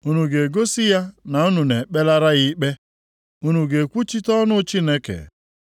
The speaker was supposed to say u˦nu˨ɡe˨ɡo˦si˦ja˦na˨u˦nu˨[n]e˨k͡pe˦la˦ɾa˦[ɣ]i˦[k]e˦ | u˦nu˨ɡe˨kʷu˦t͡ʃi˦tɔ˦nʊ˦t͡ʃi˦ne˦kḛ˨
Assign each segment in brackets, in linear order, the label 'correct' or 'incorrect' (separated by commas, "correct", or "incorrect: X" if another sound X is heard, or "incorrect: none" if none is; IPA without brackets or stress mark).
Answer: correct, correct, incorrect: k͡p